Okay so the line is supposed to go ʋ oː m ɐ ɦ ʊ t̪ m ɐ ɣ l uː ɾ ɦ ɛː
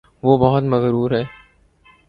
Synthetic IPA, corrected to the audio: ʋ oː b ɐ ɦ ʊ t̪ m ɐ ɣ ɾ uː ɾ ɦ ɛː